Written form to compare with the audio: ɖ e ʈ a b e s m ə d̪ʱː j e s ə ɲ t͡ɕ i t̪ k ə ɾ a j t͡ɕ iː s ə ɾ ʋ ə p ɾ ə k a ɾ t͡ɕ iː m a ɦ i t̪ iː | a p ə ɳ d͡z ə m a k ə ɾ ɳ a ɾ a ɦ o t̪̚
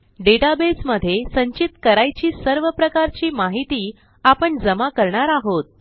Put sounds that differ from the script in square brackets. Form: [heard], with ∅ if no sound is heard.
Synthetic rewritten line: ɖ e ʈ a b e s m ə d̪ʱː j e s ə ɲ t͡ɕ i t̪ k ə ɾ a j t͡ɕ iː s ə ɾ ʋ ə p ɾ ə k a ɾ t͡ɕ iː m a ɦ i t̪ iː | a p ə ɳ d͡z ə m a k ə ɾ ɳ a ɾ a ɦ o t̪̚